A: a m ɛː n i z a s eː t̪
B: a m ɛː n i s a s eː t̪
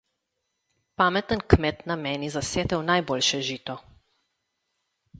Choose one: A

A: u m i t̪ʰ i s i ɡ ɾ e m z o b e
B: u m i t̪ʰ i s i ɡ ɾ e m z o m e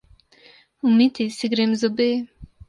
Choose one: A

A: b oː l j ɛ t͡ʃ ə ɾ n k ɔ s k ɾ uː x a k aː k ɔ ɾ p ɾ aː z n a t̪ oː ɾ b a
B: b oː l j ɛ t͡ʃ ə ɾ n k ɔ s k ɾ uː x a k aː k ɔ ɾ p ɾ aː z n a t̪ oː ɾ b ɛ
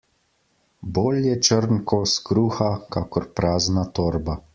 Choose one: A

